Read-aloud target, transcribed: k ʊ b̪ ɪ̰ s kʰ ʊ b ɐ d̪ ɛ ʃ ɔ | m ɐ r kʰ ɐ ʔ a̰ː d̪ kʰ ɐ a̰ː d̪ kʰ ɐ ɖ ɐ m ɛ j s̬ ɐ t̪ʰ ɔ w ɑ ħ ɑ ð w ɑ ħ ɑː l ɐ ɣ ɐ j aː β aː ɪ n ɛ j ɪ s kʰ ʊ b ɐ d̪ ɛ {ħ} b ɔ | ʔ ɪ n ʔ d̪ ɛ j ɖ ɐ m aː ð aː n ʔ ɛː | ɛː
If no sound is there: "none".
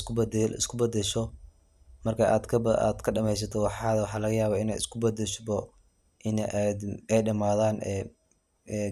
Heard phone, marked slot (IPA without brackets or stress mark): ʃ